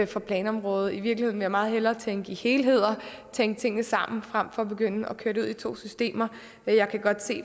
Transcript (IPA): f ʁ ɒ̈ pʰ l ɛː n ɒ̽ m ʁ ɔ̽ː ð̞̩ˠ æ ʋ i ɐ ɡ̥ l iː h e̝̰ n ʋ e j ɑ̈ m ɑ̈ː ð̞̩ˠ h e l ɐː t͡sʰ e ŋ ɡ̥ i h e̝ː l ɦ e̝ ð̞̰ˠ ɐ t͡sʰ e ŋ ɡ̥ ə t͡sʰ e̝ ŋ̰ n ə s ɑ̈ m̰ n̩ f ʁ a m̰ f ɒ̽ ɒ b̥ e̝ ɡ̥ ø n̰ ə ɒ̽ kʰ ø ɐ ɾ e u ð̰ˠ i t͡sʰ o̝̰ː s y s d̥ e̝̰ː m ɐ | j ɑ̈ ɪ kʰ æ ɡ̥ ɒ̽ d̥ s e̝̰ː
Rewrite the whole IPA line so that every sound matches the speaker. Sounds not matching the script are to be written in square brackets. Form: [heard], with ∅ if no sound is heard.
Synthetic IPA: f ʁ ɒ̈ pʰ l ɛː n ɒ̽ m ʁ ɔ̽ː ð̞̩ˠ [i] ʋ i ɐ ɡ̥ l [i] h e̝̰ n ʋ e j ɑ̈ m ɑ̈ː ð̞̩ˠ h e l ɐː t͡sʰ e ŋ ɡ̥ i h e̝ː l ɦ e̝ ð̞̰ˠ ɐ t͡sʰ e ŋ ɡ̥ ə t͡sʰ e̝ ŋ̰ n ə s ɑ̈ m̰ n̩ f ʁ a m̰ f ɒ̽ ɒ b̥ e̝ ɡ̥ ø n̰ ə ɒ̽ kʰ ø ɐ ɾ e u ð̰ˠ i t͡sʰ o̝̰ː s y s d̥ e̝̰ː m ɐ | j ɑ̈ ɪ kʰ æ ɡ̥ ɒ̽ d̥ s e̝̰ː